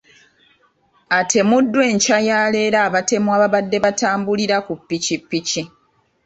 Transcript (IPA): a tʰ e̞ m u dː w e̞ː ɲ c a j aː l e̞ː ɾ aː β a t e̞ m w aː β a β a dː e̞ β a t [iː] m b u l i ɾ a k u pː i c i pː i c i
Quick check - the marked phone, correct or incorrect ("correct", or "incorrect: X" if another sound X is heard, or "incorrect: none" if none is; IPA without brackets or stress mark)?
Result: incorrect: aː